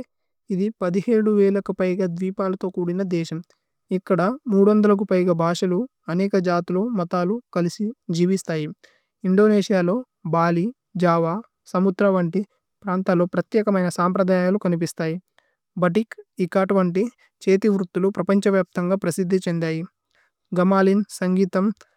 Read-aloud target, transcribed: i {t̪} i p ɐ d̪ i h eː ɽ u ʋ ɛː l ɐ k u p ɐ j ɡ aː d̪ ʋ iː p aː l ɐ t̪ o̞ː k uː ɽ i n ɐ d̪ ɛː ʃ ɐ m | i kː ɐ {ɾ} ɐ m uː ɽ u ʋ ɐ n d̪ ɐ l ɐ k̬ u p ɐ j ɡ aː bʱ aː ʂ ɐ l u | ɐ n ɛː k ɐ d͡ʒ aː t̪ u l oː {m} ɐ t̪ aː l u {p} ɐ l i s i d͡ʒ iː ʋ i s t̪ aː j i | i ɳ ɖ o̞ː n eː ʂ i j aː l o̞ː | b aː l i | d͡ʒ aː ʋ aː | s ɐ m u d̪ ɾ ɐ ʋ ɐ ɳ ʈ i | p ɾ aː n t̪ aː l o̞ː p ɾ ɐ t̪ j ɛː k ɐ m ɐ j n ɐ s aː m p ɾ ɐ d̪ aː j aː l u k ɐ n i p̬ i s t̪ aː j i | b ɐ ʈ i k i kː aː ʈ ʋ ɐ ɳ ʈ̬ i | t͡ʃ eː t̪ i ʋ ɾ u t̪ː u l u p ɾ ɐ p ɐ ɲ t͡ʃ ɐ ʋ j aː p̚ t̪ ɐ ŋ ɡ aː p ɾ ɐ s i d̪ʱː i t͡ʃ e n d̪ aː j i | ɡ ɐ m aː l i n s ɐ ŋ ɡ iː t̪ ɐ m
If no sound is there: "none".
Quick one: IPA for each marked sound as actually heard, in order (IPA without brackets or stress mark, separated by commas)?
d̪, ɽ, m, k